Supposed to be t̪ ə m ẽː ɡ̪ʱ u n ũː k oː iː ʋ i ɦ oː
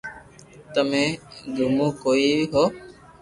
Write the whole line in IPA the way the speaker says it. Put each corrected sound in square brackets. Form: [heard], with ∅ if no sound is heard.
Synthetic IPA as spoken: t̪ ə m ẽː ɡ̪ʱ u [m] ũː k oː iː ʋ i ɦ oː